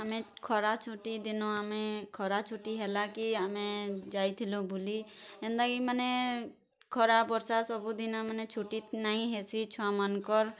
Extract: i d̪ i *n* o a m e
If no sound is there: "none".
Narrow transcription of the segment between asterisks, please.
n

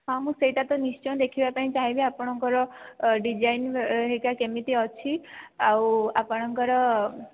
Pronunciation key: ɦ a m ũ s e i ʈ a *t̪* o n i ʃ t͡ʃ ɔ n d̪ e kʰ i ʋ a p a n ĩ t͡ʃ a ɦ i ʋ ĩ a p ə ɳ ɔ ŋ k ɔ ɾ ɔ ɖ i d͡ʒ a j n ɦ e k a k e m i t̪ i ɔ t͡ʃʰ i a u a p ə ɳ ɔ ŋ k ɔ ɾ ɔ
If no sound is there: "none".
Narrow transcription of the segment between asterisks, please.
t̪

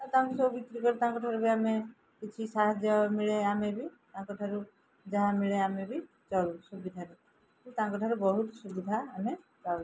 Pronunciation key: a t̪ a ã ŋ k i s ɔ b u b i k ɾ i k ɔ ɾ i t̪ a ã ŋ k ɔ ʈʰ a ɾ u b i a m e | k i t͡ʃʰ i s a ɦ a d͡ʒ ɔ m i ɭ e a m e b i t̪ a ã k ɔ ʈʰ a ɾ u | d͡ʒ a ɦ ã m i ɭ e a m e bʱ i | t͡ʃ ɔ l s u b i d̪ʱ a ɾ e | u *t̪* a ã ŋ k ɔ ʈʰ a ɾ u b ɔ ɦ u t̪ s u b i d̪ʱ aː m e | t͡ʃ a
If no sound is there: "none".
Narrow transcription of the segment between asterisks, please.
t̪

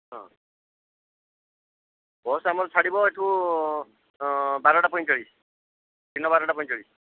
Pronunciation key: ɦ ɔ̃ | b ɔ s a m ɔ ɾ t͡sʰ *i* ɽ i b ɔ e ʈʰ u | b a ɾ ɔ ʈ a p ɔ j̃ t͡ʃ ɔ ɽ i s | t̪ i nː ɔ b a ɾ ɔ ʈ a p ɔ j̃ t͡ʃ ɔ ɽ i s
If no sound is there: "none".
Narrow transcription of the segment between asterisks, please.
a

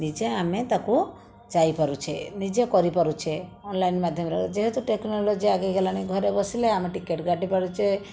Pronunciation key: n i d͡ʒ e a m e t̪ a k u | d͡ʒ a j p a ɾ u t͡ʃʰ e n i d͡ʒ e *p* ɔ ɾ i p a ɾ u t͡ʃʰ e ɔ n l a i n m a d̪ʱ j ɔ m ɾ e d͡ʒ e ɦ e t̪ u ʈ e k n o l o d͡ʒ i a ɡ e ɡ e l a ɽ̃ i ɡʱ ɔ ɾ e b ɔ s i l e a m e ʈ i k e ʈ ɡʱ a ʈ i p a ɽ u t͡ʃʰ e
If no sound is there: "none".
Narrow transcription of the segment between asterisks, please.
k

